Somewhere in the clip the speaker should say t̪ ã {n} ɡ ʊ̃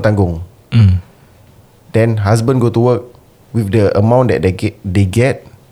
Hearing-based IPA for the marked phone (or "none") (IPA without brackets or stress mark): ŋ